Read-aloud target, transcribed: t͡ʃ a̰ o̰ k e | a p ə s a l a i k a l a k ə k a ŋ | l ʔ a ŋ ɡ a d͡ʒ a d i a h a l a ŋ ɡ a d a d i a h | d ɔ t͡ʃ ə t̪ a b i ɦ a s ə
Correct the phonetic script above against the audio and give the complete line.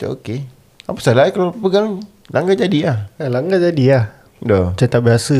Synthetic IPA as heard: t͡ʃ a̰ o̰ k e | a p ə s a l a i k a l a p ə ɡ a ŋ | l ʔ a ŋ ɡ a d͡ʒ a d i a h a l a ŋ ɡ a d͡ʒ a d i a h | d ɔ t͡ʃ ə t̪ a b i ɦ a s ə